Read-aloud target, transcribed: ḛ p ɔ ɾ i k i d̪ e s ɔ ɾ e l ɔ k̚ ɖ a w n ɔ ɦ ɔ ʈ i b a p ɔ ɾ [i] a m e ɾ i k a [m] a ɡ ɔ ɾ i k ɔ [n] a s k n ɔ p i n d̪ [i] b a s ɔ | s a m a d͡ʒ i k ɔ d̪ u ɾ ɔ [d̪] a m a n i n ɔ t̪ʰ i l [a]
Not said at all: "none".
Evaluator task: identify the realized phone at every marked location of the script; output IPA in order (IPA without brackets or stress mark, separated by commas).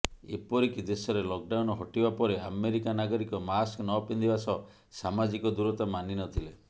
e, n, m, i, t̪, e